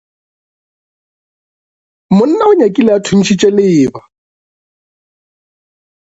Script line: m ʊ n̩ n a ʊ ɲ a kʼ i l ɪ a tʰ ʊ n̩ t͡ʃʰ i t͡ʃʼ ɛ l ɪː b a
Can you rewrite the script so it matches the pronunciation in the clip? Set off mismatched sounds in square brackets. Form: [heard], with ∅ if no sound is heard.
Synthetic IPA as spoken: m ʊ n̩ n a ʊ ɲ a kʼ i l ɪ a tʰ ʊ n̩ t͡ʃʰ i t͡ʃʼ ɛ l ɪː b a